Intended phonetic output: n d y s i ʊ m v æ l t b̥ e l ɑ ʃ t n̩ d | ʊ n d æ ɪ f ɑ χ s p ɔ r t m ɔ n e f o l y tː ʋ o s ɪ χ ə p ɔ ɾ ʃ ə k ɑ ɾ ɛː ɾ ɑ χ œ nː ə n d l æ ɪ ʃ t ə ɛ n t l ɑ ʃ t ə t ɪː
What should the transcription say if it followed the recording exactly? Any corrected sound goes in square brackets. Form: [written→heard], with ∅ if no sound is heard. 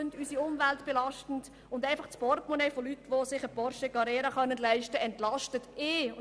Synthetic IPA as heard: n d y s i ʊ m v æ l t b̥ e l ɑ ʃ t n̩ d | ʊ n d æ ɪ f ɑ χ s p ɔ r t m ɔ n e f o l y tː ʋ o s ɪ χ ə p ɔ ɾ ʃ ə k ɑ ɾ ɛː ɾ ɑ χ œ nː ə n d l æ ɪ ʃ t ə ɛ n t l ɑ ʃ t ə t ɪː